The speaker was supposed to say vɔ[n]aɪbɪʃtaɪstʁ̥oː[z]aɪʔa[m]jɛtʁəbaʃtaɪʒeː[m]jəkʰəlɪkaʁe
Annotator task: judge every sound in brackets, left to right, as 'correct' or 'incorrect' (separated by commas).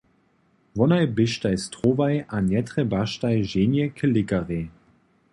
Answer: correct, incorrect, incorrect, incorrect